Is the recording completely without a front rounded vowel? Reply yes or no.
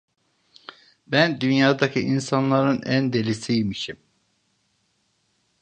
no